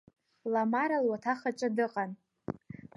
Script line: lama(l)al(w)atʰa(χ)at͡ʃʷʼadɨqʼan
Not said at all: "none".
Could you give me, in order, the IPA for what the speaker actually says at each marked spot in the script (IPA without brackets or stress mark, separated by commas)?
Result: ɾ, w, χ